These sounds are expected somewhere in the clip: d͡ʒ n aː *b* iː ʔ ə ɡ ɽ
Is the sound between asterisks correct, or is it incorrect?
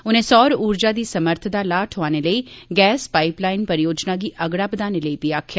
incorrect